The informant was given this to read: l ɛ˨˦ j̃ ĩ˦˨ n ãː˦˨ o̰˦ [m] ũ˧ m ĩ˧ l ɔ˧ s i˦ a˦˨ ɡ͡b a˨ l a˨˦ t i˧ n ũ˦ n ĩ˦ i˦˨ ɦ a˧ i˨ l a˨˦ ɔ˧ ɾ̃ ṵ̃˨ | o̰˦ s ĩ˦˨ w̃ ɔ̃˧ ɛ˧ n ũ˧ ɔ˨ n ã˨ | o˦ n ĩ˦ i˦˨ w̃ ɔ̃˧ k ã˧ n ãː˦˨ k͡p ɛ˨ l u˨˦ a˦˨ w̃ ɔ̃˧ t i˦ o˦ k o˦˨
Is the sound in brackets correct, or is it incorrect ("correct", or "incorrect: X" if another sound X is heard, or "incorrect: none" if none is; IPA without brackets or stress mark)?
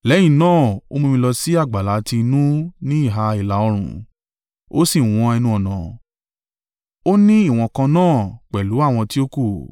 correct